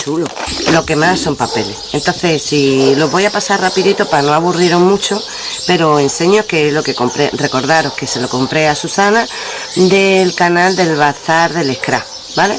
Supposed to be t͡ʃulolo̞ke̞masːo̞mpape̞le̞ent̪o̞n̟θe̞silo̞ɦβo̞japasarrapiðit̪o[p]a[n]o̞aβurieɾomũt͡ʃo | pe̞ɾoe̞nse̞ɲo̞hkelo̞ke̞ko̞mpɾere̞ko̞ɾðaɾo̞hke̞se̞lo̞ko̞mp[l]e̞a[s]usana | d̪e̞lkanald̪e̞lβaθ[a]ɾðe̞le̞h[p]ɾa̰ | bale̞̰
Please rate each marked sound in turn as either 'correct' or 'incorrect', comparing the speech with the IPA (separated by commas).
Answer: correct, correct, incorrect, correct, correct, incorrect